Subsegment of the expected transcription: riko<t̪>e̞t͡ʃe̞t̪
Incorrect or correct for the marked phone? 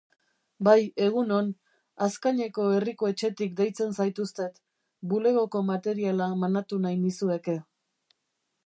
incorrect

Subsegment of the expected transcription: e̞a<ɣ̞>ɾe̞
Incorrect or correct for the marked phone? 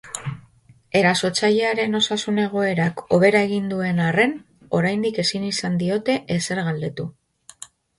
incorrect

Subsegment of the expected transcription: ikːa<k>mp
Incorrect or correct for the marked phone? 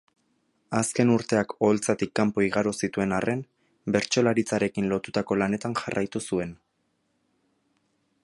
incorrect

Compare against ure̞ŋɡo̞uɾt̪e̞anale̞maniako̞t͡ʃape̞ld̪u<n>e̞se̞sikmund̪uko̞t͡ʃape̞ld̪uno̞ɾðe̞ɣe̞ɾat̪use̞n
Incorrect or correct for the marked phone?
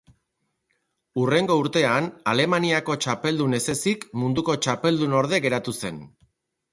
correct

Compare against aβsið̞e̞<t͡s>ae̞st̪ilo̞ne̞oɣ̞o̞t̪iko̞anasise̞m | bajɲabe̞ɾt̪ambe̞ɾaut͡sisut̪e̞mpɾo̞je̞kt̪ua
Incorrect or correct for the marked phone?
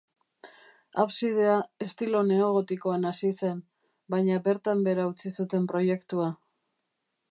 incorrect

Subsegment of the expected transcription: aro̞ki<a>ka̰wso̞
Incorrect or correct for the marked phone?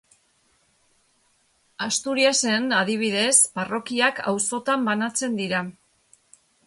correct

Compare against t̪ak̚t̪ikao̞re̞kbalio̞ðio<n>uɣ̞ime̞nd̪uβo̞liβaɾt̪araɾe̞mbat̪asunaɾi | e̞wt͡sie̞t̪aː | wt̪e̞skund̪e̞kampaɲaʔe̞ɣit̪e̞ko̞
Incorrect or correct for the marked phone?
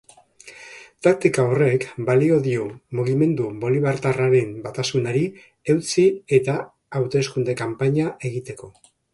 incorrect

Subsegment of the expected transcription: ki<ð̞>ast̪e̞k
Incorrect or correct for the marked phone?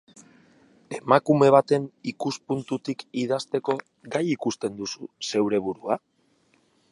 correct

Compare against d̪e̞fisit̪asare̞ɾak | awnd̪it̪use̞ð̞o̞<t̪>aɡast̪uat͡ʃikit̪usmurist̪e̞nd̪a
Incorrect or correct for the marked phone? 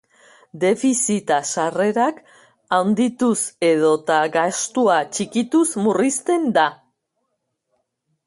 correct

